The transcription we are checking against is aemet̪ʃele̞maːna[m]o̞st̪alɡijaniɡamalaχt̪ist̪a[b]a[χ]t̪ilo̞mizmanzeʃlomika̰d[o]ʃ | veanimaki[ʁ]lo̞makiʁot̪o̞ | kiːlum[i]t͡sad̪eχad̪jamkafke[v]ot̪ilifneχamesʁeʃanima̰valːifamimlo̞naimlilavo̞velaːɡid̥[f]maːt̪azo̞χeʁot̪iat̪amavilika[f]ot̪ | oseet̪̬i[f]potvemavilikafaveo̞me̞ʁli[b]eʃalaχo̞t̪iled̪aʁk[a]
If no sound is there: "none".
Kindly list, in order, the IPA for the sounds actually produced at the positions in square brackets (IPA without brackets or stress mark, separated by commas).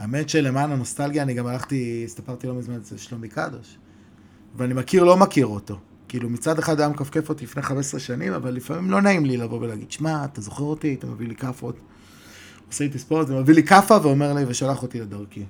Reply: n, p, ʁ, o, ʁ, i, f, ʃ, f, s, v, i